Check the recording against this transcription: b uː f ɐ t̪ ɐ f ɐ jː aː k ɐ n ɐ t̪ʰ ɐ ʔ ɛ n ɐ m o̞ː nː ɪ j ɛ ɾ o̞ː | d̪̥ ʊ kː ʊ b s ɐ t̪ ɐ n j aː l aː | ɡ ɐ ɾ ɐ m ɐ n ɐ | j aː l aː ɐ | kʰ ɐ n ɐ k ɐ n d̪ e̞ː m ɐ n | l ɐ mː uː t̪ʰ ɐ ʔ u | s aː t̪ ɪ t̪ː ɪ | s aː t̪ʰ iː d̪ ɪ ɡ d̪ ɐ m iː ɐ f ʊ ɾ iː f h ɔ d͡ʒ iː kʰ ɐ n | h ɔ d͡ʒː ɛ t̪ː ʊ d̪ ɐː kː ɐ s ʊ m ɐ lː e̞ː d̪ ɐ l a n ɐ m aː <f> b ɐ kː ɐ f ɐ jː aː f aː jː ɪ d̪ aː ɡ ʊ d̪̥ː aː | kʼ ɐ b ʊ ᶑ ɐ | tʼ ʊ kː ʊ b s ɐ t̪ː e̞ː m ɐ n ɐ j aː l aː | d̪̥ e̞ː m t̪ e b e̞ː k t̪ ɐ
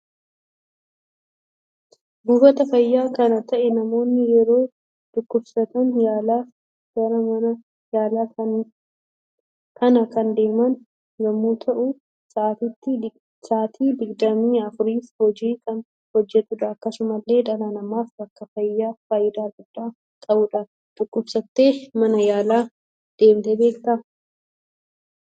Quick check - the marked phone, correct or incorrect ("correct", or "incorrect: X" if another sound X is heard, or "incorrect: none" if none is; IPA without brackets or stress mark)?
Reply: correct